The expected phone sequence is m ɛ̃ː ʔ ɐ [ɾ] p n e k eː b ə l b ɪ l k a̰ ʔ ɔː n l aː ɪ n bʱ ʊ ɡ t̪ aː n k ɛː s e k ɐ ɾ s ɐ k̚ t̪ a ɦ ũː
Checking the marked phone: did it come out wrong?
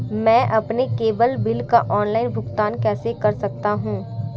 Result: yes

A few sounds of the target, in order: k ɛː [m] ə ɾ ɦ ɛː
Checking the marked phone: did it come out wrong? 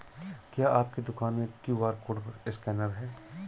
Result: yes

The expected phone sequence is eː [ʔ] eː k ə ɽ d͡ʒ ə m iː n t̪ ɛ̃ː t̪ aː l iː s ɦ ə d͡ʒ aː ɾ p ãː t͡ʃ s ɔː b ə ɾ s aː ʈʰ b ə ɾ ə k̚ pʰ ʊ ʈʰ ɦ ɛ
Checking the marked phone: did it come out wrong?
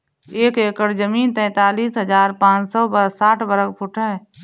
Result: yes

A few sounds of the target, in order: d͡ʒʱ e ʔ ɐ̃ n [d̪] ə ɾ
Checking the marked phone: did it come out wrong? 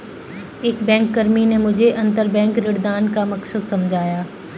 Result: yes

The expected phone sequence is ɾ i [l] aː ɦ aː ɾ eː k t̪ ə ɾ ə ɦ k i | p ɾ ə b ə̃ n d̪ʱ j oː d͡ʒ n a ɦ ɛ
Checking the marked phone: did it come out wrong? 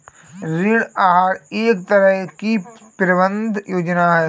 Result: yes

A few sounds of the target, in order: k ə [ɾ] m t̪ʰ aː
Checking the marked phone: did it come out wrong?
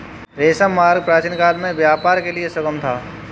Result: yes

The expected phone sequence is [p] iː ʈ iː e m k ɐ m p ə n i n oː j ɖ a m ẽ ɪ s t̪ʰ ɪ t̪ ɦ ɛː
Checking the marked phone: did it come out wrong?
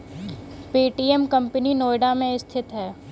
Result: no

